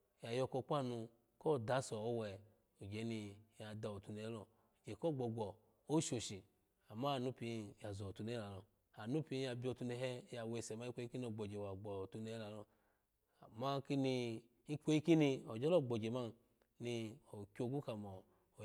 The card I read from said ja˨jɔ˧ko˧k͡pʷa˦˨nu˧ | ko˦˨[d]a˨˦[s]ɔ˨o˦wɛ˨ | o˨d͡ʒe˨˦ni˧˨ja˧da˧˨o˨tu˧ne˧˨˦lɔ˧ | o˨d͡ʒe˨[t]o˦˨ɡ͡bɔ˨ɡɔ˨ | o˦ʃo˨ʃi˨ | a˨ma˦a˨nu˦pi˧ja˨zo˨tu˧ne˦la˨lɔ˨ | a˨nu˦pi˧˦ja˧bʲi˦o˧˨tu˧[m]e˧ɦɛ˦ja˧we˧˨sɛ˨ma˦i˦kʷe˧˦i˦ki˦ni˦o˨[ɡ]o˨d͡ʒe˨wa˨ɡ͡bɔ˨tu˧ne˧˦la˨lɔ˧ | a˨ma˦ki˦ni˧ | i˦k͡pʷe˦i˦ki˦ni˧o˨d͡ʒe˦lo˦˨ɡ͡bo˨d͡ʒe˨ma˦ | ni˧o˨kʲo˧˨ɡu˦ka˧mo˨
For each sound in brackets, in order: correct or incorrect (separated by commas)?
correct, correct, incorrect, incorrect, incorrect